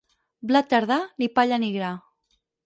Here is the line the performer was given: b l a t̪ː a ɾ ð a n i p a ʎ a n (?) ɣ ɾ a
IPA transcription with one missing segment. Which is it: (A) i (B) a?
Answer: A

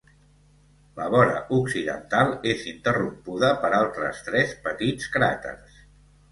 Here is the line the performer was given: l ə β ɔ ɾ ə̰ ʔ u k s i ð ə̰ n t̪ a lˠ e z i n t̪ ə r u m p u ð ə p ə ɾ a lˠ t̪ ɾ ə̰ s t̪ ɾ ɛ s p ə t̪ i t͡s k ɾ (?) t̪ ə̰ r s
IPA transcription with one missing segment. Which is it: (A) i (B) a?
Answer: B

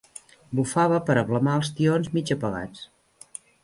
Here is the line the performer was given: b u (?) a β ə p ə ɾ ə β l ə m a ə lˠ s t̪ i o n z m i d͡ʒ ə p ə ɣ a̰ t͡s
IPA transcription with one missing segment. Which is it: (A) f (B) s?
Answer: A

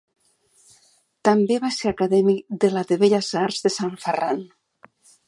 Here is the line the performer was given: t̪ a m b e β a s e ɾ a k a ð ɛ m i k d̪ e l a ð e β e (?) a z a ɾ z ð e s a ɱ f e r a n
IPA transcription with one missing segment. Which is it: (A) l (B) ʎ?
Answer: B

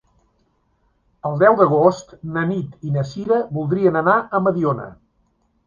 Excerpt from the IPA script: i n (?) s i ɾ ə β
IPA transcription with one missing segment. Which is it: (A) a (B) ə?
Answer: B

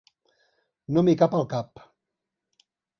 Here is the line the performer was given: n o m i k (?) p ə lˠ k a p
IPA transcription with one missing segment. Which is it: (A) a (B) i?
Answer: A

